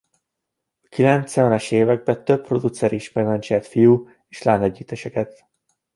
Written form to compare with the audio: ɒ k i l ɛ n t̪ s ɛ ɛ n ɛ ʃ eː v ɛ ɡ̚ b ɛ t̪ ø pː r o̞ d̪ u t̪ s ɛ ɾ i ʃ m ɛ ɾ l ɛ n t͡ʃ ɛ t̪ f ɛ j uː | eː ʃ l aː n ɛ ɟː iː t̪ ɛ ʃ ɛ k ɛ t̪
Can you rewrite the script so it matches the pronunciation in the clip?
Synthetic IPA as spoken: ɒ k i l ɛ n t̪ s ɛ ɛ n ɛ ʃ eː v ɛ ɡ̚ b ɛ t̪ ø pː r o̞ d̪ u t̪ s ɛ ɾ i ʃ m ɛ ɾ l ɛ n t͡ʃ ɛ t̪ f i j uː | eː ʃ l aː n ɛ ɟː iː t̪ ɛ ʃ ɛ k ɛ t̪